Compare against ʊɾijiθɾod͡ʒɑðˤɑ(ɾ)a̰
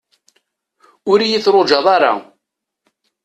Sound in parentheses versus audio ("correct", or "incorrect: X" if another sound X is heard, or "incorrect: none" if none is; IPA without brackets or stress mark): correct